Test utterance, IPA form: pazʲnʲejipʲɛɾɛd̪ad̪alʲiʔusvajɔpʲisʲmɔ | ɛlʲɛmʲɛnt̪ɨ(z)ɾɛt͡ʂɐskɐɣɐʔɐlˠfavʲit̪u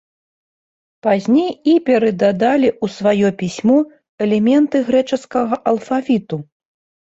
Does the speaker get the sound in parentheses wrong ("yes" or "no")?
yes